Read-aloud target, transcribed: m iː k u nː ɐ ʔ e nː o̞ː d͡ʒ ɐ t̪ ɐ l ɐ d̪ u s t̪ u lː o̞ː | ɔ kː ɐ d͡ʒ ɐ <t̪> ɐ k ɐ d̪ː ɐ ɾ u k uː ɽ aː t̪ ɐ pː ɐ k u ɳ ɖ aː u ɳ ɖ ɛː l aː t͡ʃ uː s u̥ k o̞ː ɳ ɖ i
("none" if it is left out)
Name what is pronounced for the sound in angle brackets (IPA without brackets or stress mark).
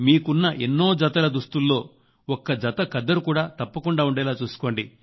t̪